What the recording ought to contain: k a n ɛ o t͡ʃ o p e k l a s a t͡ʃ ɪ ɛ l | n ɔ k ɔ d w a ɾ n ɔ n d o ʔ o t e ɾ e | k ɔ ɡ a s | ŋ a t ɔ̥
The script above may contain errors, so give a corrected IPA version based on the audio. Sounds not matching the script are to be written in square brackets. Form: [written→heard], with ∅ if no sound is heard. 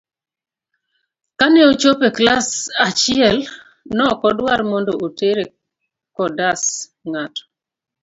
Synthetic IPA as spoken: k a n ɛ o t͡ʃ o p e k l a s a t͡ʃ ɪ ɛ l | n ɔ k ɔ d w a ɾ [n→m] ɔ n d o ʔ o t e ɾ e | k ɔ [ɡ→d] a s | ŋ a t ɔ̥